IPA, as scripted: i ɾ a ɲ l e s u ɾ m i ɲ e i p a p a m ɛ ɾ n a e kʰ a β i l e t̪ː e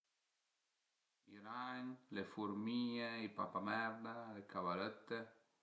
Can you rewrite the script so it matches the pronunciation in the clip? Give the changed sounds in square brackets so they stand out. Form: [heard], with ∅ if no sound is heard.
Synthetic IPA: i ɾ a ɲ l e [f] u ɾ m i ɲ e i p a p a m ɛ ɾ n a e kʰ a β [a] l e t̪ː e

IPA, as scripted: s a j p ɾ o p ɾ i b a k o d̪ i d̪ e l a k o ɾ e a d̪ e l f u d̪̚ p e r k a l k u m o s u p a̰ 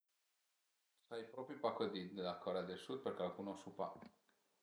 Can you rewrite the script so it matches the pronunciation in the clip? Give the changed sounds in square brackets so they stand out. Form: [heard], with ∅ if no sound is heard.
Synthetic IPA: s a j p ɾ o p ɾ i [p] a k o d̪ i d̪ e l a k o ɾ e a d̪ e l [s] u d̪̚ p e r k a l k u [n] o s u p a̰

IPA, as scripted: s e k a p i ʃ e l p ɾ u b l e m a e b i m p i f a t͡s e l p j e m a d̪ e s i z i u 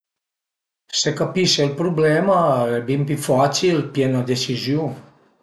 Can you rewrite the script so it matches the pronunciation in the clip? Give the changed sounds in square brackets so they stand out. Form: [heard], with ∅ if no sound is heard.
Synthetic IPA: s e k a p i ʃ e l p ɾ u b l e m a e b i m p i f a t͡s [i] l p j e [n] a d̪ e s i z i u

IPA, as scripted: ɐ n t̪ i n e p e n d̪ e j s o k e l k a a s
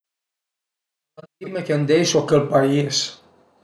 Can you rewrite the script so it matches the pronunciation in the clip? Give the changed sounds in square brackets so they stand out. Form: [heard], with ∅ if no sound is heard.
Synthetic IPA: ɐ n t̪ i [m] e [k] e n d̪ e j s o k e l [p] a [i] s

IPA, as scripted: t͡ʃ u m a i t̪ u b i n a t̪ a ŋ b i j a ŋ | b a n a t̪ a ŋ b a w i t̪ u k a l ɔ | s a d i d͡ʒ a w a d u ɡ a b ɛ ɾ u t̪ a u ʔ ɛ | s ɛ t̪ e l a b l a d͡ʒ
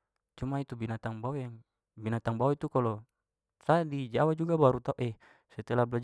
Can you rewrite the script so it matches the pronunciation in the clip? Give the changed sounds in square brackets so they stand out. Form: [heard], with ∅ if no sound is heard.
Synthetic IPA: t͡ʃ u m a i t̪ u b i n a t̪ a ŋ b [a] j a ŋ | b [i] n a t̪ a ŋ b a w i t̪ u k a l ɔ | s a d i d͡ʒ a w a [d͡ʒ] u ɡ a b [a] ɾ u t̪ a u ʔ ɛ | s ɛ t̪ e l a b l a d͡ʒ

